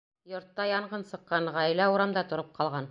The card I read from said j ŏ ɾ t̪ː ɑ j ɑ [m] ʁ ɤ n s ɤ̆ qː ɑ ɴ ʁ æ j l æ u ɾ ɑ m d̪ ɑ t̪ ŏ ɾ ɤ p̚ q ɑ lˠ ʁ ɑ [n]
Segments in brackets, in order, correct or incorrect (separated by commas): incorrect, correct